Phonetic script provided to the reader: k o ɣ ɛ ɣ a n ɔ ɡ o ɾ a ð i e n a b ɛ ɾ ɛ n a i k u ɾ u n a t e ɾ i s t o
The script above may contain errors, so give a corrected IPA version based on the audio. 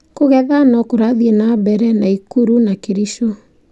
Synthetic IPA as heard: k o ɣ ɛ ð a n ɔ k o ɾ a ð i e n a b ɛ ɾ ɛ n a i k u ɾ u n a k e ɾ i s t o